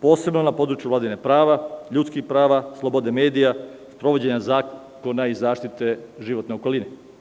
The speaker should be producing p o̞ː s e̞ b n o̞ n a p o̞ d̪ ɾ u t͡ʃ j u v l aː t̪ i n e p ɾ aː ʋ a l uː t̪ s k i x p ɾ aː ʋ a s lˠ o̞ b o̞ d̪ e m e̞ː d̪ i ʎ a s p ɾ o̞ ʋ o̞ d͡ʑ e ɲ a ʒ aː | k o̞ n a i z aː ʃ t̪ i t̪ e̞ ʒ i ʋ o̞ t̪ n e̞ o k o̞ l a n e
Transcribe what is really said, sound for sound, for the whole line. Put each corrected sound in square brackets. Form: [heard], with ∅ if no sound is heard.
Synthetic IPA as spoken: p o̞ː s e̞ b n o̞ n a p o̞ d̪ ɾ u t͡ʃ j u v l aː [d̪] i n e p ɾ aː ʋ a [ʎ] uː t̪ s k i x p ɾ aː ʋ a s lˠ o̞ b o̞ d̪ e m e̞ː d̪ i [j] a s p ɾ o̞ ʋ o̞ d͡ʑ e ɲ a [z] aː | k o̞ n a i z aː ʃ t̪ i t̪ e̞ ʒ i ʋ o̞ t̪ n e̞ o k o̞ l [i] n e